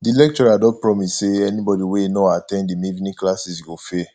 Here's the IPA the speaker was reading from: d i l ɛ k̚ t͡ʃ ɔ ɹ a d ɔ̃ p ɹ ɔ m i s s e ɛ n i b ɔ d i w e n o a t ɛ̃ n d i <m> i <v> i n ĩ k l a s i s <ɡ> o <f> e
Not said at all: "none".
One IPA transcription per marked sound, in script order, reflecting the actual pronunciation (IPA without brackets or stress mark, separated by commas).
m, v, ɡ, f